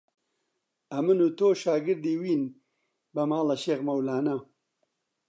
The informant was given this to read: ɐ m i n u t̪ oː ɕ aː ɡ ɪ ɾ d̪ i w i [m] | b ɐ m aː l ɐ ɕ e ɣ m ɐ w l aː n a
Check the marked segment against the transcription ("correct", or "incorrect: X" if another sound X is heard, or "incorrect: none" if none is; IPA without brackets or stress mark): incorrect: n